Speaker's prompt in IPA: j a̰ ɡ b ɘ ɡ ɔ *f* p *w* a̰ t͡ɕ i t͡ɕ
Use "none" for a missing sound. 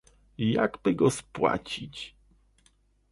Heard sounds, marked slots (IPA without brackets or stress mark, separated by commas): s, w